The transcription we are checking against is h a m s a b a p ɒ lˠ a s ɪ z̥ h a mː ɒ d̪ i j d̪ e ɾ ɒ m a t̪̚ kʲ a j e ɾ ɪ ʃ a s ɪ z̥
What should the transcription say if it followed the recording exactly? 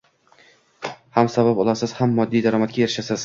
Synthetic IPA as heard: h a m s a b a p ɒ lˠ a s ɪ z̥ h a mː ɒ d̪ː i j d̪ a ɾ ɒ m a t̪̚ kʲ a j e ɾ ɪ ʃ a s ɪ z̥